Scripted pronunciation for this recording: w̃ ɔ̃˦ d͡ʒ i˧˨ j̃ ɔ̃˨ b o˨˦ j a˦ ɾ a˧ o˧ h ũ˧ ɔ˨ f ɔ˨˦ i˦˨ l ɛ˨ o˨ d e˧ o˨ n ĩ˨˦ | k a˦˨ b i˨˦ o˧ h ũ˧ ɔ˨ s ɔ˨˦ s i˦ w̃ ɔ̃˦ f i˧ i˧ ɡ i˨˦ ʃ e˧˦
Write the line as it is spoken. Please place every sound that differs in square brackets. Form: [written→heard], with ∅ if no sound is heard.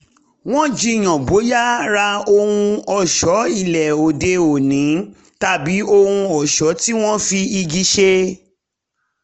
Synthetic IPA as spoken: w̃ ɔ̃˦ d͡ʒ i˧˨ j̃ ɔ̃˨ b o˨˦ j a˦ ɾ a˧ o˧ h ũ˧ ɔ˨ [f→ʃ] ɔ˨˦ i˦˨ l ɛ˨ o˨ d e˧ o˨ n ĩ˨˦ | [k→t] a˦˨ b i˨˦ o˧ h ũ˧ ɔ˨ [s→ʃ] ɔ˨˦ [s→t] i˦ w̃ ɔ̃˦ f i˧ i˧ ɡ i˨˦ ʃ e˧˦

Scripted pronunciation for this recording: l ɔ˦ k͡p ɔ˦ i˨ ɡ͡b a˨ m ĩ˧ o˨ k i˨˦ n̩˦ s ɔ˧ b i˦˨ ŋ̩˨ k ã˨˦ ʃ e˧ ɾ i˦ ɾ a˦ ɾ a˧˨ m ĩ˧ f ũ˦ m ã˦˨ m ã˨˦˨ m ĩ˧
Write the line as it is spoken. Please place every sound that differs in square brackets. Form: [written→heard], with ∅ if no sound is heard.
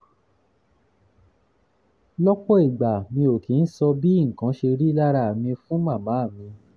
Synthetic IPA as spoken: l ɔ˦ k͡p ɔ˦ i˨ ɡ͡b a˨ m ĩ˧ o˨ k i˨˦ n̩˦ s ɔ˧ b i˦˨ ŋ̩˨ k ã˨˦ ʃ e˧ ɾ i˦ [ɾ→l] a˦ ɾ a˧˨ m ĩ˧ f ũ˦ m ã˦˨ m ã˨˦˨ m ĩ˧

